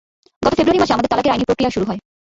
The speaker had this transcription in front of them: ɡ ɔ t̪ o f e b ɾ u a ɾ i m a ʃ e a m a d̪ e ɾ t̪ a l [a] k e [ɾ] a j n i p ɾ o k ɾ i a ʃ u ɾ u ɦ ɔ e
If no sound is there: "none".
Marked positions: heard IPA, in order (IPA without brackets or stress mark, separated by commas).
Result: a, ɾ